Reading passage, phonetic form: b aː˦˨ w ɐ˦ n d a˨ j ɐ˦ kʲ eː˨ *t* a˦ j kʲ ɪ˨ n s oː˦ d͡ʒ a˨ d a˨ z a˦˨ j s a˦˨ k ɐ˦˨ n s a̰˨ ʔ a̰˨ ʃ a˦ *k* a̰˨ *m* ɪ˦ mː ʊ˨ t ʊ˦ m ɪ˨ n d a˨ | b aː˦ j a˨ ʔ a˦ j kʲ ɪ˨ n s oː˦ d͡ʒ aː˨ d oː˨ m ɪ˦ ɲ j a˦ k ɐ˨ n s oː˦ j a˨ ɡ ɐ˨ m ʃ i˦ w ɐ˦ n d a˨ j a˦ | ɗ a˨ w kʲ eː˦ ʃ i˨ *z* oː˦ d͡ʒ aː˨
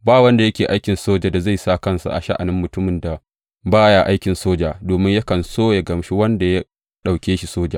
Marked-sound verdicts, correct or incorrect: incorrect, incorrect, incorrect, incorrect

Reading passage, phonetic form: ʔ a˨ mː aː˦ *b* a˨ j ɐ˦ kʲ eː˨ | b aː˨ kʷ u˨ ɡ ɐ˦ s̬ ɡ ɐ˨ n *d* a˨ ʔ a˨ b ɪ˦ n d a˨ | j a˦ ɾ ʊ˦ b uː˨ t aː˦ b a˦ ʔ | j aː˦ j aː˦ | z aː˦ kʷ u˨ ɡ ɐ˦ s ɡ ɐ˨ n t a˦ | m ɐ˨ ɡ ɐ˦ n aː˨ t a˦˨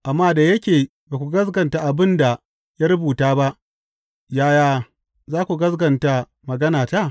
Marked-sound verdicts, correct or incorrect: incorrect, incorrect

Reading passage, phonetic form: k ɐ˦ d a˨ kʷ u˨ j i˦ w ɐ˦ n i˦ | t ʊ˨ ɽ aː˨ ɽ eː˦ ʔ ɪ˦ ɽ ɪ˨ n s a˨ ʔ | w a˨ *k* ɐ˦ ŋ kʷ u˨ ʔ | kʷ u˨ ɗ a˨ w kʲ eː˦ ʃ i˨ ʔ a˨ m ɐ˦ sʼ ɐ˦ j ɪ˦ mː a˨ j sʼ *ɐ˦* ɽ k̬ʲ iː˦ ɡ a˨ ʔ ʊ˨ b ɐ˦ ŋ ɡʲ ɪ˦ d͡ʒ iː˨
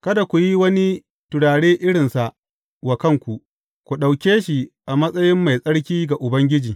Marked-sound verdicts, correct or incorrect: correct, correct

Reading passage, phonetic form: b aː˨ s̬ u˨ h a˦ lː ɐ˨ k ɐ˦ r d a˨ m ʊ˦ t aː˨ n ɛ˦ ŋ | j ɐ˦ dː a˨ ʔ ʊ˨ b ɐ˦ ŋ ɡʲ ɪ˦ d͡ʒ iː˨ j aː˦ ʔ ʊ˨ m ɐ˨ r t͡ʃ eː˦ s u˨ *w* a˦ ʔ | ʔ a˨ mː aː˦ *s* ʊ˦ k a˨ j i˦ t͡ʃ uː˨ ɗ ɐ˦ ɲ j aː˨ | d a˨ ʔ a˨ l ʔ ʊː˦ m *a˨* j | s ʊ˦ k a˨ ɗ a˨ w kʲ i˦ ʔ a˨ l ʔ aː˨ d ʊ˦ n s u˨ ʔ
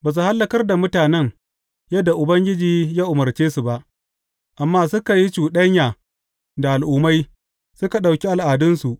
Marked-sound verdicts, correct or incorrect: incorrect, correct, incorrect

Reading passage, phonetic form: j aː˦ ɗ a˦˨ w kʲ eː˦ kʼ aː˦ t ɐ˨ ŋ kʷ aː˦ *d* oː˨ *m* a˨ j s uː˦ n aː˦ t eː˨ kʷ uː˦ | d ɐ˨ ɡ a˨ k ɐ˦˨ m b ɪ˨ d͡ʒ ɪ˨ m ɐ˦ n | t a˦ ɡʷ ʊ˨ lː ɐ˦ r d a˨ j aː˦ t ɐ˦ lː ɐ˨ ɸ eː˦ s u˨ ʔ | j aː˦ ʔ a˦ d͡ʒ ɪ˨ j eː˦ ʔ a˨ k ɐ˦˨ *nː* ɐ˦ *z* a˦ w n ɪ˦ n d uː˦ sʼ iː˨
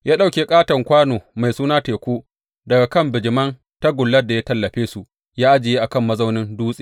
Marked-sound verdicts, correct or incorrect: incorrect, correct, incorrect, correct

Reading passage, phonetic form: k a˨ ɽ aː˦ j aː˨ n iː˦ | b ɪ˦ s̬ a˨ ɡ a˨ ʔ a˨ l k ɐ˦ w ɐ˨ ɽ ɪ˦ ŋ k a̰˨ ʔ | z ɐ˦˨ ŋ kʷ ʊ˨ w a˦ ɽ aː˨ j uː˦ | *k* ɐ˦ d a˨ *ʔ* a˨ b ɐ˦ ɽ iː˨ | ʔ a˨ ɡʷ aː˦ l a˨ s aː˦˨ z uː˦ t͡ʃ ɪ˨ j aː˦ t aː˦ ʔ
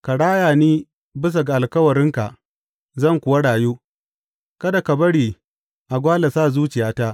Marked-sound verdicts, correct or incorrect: correct, incorrect

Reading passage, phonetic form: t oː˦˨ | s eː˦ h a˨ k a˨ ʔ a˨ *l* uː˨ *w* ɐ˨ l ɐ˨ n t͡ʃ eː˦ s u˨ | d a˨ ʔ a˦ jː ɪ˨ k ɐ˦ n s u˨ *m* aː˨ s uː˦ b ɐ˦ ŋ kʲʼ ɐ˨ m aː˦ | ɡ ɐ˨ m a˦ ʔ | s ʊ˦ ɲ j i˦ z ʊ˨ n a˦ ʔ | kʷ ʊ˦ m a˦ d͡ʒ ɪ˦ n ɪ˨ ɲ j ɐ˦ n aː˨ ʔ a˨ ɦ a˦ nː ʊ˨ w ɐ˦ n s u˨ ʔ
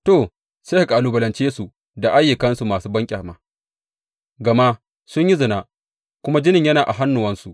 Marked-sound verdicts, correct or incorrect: correct, incorrect, correct

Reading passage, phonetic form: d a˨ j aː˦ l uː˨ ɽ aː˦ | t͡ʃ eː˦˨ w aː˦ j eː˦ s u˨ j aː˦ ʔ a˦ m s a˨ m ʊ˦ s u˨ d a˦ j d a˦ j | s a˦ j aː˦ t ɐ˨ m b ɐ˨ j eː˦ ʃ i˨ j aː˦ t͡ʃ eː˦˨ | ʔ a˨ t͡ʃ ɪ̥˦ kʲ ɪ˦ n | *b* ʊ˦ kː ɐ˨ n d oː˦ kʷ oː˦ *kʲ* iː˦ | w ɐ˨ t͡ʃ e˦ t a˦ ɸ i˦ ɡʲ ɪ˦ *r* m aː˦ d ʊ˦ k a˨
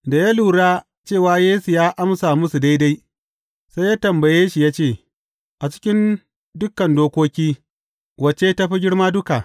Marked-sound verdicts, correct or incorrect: incorrect, correct, incorrect

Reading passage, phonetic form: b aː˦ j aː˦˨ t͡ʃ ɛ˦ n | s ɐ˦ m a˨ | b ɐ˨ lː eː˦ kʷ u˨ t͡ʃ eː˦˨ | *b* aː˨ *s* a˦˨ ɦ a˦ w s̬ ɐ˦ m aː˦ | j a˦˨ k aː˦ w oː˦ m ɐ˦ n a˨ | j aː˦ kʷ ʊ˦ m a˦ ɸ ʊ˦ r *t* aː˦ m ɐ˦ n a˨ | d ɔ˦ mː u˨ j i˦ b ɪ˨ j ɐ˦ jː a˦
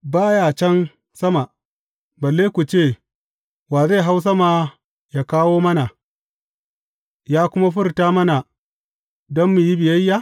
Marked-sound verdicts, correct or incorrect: incorrect, incorrect, correct

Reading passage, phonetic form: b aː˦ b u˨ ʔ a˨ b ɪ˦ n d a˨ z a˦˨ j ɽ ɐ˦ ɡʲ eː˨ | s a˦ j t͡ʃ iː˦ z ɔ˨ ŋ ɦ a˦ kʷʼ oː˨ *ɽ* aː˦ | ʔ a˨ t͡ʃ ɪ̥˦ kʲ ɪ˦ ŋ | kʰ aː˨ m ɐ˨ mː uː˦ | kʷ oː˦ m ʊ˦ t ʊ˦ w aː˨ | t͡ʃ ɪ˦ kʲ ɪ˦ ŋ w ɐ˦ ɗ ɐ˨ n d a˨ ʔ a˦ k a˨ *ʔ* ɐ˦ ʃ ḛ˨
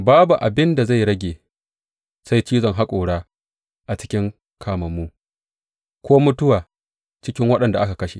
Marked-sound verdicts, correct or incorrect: correct, incorrect

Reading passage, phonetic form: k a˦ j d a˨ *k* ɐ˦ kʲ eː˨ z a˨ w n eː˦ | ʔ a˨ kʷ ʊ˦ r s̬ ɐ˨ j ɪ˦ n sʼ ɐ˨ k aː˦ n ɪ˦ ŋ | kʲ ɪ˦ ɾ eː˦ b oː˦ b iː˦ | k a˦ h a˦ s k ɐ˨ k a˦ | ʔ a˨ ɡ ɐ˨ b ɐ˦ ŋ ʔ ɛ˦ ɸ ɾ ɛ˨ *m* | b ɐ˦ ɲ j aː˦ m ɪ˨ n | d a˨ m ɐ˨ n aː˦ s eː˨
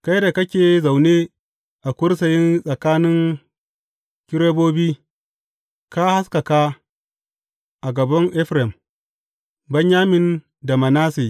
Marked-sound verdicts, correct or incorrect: correct, correct

